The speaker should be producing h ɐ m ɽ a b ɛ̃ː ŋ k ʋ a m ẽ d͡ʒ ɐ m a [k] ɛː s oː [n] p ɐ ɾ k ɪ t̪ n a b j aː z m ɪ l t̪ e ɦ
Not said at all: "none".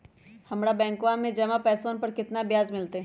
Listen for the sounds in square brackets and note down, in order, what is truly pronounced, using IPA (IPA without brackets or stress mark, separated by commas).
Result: p, n